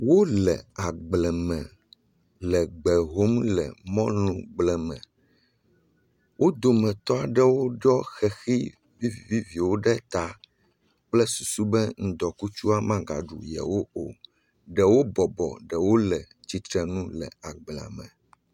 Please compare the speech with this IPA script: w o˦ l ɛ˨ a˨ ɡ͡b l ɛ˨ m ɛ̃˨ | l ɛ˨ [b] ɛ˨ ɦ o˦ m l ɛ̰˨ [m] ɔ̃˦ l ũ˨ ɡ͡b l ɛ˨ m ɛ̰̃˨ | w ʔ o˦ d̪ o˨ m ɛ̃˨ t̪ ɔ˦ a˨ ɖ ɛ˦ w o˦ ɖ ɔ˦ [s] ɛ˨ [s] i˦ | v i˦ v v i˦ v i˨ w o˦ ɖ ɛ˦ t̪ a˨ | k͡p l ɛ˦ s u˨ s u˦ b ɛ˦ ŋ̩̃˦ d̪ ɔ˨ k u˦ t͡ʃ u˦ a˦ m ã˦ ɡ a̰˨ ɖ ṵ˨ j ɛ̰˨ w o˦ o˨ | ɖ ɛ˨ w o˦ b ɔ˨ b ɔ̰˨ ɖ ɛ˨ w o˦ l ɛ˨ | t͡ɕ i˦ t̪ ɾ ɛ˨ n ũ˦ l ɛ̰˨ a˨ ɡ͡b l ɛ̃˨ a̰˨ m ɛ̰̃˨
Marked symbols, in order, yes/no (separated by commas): no, yes, no, no